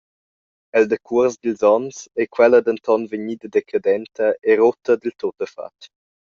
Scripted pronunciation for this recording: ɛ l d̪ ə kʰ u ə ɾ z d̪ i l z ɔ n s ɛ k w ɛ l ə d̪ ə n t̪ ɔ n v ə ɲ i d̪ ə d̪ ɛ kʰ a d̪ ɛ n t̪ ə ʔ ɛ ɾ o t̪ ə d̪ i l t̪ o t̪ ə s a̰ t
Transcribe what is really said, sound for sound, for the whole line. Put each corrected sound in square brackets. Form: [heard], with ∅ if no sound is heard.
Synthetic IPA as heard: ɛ l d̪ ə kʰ u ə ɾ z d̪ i l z ɔ n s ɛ k w ɛ l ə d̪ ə n t̪ ɔ n v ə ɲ i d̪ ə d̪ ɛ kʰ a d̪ ɛ n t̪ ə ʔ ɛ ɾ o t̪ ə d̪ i l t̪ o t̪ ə [f] a̰ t